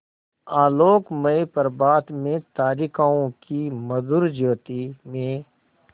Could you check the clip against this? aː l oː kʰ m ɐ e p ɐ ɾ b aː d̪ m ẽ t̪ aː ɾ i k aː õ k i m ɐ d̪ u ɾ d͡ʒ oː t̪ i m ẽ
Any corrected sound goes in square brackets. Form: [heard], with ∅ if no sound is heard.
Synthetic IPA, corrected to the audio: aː l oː [k] m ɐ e p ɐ ɾ b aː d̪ m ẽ t̪ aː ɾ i k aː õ k i m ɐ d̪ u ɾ d͡ʒ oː t̪ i m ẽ